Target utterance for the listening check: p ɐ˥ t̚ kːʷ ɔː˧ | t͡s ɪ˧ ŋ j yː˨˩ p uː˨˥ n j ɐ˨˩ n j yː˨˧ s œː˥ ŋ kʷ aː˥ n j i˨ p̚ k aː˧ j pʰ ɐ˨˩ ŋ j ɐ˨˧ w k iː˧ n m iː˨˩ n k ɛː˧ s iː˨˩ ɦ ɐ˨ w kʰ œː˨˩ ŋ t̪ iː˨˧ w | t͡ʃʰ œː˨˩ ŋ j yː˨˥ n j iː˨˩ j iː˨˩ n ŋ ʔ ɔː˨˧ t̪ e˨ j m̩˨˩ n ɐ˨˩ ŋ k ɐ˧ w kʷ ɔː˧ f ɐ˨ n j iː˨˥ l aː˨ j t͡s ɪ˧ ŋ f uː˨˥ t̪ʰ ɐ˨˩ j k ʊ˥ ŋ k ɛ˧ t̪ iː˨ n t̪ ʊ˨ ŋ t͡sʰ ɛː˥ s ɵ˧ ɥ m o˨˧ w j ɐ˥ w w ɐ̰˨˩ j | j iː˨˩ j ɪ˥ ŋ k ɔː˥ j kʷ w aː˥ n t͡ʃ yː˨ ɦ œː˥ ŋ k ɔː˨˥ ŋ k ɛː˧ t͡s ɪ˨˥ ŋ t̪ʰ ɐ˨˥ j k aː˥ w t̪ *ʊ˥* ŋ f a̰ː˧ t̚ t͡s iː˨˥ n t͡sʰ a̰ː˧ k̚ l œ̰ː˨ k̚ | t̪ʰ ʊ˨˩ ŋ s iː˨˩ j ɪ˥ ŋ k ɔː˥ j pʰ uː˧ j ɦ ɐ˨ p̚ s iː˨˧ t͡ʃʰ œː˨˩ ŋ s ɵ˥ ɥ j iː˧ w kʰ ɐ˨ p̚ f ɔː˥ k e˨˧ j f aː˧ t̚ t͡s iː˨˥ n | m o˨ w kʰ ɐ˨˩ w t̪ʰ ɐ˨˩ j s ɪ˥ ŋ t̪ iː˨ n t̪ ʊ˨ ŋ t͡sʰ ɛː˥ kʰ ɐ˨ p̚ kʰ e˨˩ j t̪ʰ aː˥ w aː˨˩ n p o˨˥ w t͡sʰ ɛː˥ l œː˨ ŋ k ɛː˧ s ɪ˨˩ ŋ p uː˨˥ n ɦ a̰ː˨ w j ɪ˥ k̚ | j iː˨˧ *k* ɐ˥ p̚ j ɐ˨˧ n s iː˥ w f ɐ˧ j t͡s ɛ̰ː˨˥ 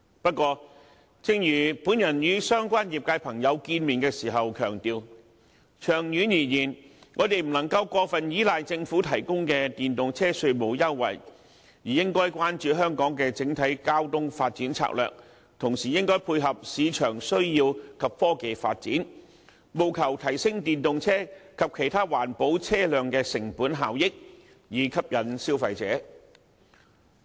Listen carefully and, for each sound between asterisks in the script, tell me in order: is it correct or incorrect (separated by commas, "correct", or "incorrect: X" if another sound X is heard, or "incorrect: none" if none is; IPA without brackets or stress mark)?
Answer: correct, incorrect: kʰ